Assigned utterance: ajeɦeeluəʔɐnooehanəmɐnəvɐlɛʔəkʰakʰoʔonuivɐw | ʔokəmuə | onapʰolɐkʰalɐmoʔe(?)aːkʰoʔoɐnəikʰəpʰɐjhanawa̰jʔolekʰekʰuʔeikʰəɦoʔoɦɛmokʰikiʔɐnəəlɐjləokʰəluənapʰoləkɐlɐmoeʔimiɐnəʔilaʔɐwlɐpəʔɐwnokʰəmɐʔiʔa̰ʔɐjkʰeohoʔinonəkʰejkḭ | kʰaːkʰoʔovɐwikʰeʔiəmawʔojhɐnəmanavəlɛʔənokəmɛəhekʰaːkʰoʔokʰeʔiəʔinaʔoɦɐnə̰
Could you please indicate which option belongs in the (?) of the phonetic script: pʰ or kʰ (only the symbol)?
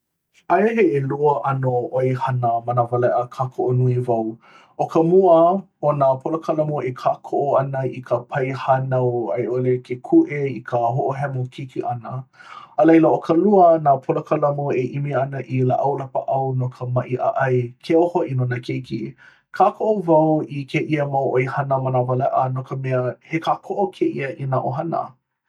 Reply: kʰ